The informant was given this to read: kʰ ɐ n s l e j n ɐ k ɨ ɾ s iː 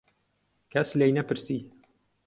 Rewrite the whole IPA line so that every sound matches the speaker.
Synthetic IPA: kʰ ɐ s l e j n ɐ p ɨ ɾ s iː